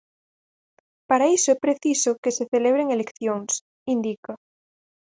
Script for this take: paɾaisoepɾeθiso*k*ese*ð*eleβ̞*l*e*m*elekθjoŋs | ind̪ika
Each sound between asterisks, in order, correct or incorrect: correct, incorrect: θ, incorrect: ɾ, incorrect: ŋ

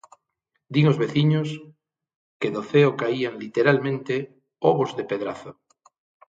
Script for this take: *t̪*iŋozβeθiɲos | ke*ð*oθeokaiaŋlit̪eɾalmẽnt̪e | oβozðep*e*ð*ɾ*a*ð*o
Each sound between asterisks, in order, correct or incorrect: incorrect: d̪, correct, correct, correct, incorrect: θ

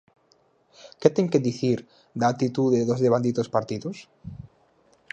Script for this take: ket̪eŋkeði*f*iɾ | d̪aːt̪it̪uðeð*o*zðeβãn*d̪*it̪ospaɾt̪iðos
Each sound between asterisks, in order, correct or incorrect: incorrect: θ, correct, correct

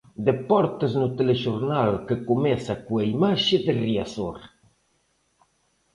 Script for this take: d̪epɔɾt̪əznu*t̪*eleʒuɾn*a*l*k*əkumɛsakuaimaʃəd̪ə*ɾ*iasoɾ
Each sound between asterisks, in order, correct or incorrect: correct, correct, correct, incorrect: r

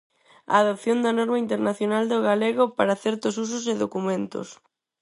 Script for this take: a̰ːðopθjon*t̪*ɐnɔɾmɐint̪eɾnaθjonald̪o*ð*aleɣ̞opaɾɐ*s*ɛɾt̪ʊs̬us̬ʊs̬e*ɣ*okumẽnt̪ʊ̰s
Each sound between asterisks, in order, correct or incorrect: incorrect: d̪, incorrect: ɣ, incorrect: θ, incorrect: ð

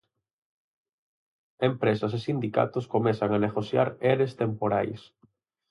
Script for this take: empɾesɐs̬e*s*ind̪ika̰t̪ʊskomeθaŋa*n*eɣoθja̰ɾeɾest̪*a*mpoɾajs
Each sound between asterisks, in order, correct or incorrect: correct, correct, incorrect: e

